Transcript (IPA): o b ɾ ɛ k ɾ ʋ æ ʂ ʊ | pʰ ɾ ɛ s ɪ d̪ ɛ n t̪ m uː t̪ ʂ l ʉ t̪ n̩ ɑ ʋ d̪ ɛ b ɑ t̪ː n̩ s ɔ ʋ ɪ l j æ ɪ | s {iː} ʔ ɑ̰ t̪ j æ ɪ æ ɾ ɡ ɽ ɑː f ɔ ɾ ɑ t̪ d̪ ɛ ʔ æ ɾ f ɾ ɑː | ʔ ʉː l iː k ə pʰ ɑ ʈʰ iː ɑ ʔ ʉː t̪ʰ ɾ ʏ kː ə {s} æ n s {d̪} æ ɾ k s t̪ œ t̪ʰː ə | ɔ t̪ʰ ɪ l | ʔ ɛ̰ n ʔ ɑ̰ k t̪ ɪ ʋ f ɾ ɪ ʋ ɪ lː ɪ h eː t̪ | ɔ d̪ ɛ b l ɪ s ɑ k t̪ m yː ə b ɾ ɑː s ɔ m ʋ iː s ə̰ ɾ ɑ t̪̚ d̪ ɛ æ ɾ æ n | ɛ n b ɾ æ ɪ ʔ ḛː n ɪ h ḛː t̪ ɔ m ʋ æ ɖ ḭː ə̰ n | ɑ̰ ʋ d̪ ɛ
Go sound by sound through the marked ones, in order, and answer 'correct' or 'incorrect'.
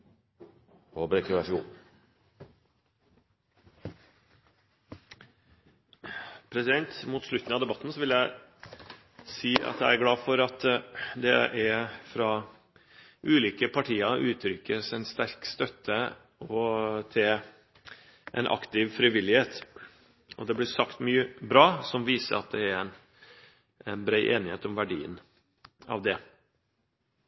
correct, correct, incorrect

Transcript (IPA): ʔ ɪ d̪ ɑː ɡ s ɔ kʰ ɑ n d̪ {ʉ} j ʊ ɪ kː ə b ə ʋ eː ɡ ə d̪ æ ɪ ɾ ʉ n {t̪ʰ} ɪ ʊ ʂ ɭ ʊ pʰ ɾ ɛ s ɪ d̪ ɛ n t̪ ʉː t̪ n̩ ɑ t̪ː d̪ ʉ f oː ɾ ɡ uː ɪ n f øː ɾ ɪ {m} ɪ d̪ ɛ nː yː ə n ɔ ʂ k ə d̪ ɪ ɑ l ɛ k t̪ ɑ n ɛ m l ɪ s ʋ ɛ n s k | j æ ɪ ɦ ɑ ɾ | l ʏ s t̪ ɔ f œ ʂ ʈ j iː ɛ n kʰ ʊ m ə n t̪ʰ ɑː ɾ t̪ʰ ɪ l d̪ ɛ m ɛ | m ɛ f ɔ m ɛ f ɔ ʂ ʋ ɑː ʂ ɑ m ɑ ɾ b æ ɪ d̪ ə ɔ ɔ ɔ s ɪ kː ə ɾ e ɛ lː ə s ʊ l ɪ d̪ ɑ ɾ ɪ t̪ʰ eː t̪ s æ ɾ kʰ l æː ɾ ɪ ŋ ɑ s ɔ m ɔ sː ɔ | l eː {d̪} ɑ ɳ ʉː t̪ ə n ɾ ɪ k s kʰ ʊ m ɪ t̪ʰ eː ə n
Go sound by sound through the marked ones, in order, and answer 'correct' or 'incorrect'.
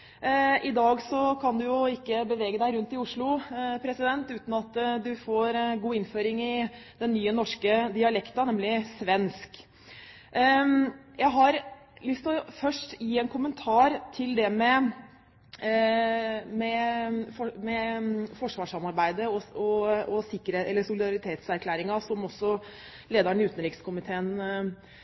correct, incorrect, incorrect, correct

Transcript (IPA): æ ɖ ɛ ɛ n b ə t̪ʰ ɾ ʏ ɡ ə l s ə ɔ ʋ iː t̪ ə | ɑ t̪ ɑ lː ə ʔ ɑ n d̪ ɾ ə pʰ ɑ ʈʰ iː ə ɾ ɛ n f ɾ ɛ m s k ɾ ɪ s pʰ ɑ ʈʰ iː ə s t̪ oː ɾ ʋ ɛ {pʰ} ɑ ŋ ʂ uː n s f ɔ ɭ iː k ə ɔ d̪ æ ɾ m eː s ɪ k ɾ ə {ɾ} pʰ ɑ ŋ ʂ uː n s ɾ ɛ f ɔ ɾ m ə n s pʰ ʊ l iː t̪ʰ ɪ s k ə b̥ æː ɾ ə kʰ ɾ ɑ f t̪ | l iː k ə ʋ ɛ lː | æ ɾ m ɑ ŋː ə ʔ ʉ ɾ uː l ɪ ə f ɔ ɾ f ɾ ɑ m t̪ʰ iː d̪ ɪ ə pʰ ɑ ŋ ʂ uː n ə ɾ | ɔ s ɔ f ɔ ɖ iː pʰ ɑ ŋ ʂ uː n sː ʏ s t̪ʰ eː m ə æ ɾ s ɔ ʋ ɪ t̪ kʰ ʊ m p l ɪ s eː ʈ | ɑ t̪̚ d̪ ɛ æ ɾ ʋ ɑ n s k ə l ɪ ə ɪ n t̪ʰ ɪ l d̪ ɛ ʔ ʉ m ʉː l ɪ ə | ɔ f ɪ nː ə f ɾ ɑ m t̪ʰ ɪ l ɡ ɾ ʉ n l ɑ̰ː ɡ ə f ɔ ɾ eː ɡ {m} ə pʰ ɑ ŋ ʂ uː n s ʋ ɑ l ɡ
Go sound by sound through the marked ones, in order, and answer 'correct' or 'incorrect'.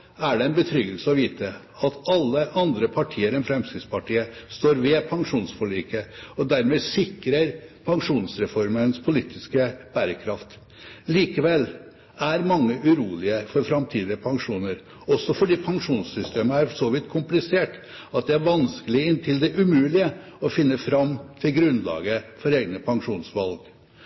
correct, correct, incorrect

